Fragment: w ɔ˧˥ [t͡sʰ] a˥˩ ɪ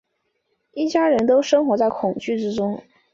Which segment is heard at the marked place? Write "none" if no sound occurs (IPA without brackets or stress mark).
t͡s